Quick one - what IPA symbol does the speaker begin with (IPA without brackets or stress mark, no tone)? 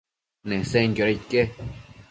n